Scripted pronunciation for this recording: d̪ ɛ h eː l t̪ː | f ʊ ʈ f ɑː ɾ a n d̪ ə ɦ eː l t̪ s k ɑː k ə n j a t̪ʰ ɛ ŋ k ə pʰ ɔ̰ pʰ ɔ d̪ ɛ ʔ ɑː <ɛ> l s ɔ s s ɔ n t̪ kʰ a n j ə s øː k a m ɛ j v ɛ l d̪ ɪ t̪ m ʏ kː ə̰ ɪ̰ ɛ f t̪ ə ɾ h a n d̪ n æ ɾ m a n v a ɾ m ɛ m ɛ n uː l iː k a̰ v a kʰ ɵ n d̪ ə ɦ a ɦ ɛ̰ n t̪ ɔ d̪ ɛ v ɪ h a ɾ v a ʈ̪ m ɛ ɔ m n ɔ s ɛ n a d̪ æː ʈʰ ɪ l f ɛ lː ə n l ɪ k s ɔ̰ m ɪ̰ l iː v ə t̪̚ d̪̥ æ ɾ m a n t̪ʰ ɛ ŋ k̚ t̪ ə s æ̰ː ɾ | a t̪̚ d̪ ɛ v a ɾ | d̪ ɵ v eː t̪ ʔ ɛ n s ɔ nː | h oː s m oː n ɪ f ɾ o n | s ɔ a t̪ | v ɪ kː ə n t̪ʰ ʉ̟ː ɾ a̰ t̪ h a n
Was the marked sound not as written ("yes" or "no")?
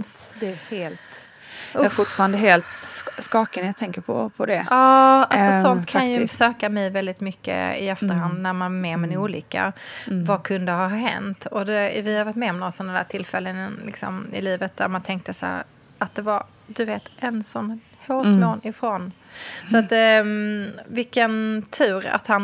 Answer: yes